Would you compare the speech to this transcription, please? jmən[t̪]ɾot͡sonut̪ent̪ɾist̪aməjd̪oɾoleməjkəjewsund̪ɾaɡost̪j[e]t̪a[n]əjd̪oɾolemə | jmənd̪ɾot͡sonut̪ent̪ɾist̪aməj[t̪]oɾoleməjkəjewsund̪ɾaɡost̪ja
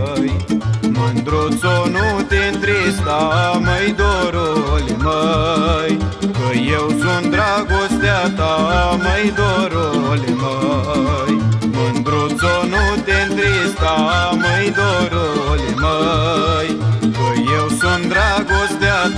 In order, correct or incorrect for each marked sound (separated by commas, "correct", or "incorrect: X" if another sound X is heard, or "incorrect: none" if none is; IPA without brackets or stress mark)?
incorrect: d̪, incorrect: a, incorrect: m, incorrect: d̪